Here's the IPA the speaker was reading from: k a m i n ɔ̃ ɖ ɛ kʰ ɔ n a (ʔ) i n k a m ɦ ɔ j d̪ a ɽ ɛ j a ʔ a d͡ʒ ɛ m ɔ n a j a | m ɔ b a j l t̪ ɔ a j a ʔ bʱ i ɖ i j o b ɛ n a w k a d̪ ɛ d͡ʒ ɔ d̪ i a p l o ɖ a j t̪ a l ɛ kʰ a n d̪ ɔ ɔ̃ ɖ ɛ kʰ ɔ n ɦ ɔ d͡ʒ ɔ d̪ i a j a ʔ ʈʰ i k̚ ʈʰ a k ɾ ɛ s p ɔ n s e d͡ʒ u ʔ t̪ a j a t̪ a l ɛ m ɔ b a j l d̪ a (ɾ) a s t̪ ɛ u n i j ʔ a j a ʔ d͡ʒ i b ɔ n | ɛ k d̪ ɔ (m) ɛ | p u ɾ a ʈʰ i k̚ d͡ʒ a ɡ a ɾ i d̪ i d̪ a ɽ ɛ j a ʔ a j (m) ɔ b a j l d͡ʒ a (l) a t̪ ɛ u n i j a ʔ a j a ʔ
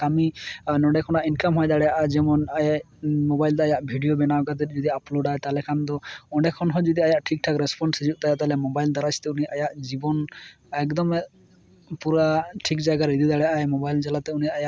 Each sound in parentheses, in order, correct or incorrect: correct, correct, correct, correct, correct

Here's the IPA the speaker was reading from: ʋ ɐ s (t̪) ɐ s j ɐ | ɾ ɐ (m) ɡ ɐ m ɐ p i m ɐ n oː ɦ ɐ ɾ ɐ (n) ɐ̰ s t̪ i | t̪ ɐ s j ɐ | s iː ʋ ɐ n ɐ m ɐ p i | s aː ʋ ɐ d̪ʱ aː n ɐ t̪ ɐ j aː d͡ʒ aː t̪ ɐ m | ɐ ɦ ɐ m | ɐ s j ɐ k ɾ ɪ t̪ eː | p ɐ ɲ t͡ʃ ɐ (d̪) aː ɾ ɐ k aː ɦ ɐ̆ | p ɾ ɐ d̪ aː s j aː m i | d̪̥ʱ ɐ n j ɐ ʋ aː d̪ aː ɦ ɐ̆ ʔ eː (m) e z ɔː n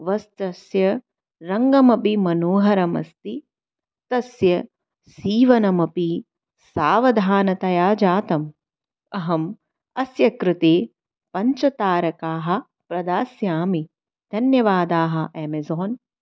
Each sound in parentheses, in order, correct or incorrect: correct, incorrect, incorrect, incorrect, correct

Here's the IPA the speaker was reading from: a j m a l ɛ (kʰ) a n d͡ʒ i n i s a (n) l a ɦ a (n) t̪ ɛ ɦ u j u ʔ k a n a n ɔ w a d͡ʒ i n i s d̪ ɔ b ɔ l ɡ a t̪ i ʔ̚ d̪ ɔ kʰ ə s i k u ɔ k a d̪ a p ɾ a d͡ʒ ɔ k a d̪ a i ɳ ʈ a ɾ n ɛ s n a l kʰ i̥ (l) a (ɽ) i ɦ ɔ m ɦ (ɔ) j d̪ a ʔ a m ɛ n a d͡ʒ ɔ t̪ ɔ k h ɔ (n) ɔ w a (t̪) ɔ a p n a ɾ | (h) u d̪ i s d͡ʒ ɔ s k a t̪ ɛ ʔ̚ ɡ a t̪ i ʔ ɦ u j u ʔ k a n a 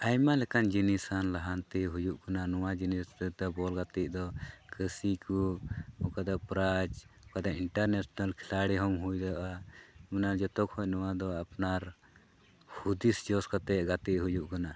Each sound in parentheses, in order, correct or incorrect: incorrect, correct, correct, correct, correct, incorrect, correct, incorrect, correct

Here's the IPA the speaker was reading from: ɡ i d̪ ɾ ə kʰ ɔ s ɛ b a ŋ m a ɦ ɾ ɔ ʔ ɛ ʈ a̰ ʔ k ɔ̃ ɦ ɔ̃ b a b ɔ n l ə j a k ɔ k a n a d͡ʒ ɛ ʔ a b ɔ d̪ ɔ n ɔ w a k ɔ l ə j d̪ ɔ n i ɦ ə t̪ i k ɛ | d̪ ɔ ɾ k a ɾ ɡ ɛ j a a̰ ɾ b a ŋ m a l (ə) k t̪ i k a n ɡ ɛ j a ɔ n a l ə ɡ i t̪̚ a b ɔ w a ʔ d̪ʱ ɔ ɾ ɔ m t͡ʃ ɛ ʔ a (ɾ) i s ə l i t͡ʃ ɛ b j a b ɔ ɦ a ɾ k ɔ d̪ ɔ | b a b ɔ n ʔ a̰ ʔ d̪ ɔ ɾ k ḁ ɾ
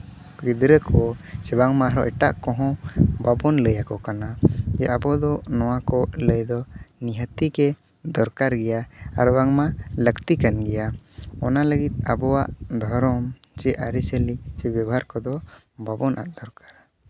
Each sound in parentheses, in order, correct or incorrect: correct, correct

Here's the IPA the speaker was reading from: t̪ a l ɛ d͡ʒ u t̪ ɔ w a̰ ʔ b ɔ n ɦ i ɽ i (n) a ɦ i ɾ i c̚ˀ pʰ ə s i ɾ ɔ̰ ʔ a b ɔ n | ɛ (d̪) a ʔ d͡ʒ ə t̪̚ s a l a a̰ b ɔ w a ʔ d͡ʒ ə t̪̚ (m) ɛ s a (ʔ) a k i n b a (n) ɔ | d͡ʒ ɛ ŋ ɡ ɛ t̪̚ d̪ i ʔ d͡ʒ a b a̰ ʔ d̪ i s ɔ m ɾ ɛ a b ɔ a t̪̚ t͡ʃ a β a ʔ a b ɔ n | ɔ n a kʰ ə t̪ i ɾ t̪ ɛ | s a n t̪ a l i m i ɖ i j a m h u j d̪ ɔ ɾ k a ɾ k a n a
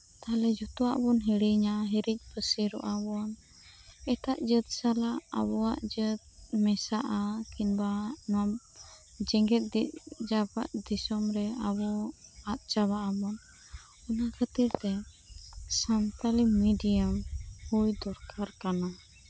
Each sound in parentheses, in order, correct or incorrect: incorrect, incorrect, correct, correct, correct

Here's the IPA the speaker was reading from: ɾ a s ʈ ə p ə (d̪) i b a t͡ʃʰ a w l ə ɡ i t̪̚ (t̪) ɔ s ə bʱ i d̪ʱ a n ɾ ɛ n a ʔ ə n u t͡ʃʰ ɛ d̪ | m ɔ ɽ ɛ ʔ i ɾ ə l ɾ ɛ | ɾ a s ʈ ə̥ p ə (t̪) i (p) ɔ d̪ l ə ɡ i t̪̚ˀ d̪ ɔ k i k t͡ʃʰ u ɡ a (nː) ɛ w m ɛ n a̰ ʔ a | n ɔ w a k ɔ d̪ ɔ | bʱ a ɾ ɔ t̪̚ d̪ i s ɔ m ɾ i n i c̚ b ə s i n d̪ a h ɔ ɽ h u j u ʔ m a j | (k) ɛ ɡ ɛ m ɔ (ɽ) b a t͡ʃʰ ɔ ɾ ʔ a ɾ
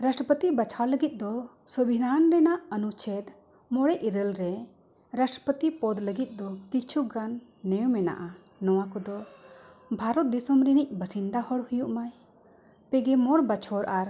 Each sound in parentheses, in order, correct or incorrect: incorrect, incorrect, correct, correct, correct, incorrect, correct

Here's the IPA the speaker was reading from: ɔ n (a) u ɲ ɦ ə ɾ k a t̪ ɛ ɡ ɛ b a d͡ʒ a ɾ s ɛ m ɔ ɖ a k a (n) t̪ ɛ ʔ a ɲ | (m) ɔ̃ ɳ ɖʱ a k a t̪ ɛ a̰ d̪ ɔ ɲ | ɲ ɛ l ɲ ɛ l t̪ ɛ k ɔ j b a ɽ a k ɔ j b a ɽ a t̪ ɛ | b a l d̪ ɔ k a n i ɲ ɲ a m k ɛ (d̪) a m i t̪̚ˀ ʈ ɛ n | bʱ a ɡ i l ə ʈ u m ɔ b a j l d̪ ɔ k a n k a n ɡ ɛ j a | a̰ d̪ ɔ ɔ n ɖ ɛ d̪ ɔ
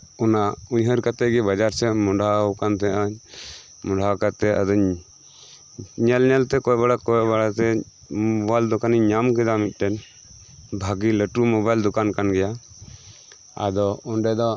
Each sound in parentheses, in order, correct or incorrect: correct, correct, correct, correct

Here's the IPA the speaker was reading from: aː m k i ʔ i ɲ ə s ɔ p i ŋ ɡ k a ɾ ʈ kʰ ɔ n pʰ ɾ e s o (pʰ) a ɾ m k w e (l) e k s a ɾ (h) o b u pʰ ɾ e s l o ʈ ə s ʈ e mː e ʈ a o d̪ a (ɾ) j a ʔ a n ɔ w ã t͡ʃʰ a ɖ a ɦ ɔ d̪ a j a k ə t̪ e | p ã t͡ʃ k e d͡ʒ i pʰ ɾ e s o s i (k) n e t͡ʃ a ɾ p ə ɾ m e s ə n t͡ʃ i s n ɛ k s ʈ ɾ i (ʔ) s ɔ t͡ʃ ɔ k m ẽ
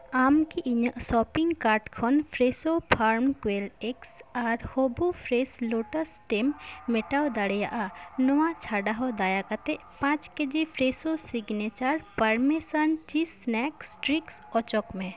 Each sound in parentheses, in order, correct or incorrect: correct, correct, correct, incorrect, incorrect, incorrect

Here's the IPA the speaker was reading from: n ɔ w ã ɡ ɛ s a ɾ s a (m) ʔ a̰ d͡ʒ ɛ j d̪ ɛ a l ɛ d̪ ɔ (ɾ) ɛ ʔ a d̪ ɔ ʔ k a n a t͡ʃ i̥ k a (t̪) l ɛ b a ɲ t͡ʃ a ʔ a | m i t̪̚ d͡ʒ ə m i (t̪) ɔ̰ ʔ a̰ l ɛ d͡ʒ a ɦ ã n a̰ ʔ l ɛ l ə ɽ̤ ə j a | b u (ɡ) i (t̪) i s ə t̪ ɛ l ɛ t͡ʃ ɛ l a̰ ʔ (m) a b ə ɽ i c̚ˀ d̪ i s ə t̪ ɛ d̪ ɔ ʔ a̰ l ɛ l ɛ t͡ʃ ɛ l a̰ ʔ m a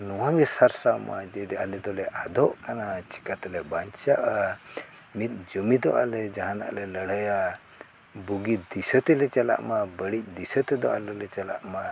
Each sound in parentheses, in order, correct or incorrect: correct, incorrect, correct, incorrect, correct, incorrect, correct

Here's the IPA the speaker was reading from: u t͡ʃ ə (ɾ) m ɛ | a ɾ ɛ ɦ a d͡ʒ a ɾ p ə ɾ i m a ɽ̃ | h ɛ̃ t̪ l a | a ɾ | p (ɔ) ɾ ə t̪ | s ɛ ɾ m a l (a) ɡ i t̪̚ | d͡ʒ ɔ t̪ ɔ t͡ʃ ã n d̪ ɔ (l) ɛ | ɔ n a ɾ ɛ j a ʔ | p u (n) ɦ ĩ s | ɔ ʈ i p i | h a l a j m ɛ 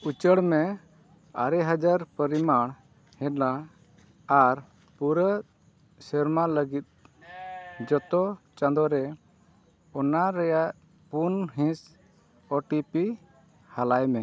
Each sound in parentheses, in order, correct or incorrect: incorrect, incorrect, incorrect, incorrect, correct

